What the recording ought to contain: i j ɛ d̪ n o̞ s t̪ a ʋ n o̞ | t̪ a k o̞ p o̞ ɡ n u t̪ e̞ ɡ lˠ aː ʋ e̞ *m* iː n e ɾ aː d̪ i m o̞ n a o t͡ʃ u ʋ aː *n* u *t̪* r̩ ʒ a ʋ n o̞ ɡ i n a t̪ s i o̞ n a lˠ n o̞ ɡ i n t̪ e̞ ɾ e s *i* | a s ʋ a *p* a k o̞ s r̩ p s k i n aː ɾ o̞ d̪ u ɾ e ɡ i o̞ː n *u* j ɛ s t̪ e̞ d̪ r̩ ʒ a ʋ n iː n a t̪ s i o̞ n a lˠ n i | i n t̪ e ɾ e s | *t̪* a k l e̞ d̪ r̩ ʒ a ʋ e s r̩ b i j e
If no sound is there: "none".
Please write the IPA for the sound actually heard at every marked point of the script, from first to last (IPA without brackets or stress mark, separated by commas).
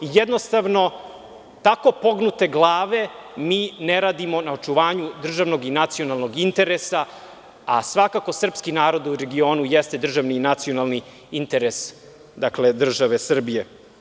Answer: m, ɲ, d̪, a, k, u, d̪